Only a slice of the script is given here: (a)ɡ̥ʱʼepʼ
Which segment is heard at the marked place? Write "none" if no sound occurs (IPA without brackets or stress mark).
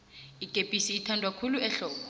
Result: i